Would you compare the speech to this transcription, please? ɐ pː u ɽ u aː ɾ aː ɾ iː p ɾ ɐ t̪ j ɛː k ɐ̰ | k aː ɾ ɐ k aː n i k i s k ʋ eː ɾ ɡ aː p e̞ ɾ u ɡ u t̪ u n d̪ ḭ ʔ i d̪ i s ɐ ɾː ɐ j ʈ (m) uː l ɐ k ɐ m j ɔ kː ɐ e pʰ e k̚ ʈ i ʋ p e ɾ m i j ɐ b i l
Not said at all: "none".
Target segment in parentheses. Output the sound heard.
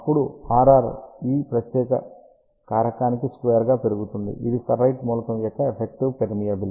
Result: m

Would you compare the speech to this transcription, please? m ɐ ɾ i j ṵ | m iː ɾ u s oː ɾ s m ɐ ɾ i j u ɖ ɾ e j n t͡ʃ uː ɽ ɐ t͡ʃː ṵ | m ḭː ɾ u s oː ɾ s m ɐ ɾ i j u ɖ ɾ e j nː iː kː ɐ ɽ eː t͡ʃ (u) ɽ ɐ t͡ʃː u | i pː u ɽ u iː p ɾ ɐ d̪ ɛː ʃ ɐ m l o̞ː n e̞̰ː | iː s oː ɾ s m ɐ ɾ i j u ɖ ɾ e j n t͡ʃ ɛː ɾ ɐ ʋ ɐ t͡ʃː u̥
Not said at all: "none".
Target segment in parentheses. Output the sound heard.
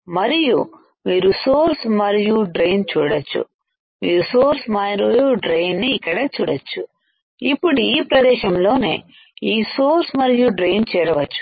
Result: uː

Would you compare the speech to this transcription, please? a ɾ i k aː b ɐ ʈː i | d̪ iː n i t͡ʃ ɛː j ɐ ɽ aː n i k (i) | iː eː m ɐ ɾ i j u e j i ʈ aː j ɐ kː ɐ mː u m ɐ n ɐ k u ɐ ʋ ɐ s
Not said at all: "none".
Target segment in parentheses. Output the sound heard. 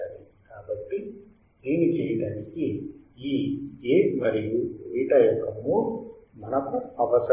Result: i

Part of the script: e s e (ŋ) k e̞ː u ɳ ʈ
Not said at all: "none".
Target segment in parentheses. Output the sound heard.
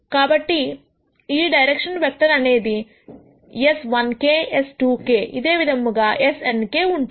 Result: n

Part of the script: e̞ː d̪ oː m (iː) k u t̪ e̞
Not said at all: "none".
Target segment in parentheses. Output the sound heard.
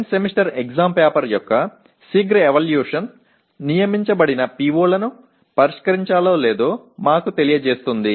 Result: aː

